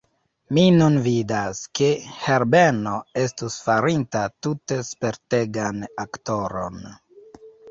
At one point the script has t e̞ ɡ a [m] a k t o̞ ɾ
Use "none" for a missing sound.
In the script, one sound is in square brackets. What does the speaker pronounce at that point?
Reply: n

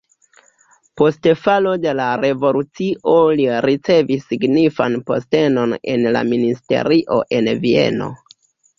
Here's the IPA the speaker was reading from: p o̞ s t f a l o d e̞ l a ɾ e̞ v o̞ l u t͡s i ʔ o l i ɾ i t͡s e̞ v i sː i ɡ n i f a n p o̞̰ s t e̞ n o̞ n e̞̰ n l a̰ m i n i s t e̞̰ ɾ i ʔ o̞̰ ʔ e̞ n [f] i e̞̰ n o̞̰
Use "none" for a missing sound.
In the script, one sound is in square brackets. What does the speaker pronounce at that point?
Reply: v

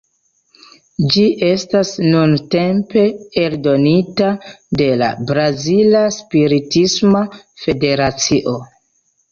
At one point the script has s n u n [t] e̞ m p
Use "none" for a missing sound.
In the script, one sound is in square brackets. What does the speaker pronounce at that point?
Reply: t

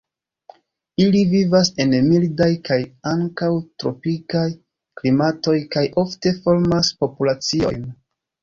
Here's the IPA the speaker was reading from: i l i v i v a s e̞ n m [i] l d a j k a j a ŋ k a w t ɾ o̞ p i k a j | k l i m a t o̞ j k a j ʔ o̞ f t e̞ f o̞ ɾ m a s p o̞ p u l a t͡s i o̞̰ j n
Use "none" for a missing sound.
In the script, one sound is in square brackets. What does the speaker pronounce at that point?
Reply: i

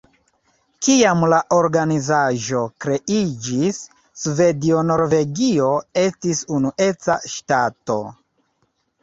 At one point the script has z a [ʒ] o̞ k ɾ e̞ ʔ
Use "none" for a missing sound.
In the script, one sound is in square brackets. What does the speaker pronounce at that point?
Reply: ʒ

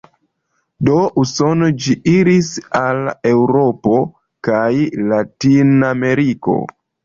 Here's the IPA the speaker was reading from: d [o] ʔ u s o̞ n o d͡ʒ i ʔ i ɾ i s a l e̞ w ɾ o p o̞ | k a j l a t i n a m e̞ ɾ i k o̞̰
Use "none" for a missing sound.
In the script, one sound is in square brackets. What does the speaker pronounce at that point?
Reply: o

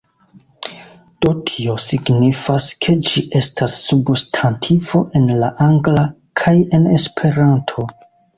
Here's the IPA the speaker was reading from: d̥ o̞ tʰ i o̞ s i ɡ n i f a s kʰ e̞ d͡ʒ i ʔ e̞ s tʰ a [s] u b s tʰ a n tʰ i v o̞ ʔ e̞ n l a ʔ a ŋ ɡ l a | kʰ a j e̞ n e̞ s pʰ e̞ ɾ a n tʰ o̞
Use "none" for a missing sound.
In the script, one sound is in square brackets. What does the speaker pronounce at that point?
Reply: sː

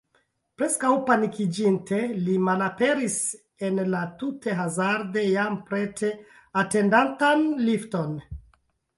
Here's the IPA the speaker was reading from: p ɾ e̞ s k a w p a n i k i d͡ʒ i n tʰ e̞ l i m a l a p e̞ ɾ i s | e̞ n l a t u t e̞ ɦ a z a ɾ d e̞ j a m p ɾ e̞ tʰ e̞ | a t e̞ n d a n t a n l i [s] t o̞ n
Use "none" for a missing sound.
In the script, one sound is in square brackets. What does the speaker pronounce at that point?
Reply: f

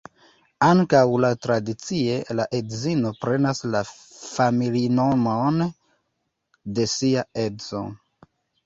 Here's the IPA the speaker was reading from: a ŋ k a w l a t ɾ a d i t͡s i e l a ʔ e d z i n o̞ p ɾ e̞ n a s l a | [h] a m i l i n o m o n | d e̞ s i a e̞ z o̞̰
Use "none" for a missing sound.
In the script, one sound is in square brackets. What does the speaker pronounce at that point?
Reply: f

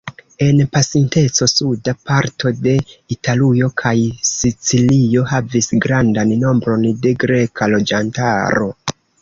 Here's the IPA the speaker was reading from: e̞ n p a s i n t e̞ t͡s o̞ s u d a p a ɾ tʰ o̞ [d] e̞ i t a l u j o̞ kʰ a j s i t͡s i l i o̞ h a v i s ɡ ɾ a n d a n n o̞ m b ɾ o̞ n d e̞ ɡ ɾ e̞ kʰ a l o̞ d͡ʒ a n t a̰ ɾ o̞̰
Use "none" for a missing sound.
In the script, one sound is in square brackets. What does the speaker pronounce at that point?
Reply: d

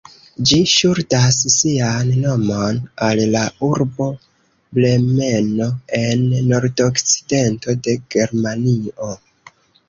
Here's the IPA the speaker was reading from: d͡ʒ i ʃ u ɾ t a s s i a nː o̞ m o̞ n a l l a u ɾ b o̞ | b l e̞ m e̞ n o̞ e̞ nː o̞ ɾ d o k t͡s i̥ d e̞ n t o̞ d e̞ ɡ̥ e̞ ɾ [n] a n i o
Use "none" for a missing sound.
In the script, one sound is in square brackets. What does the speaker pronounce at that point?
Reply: m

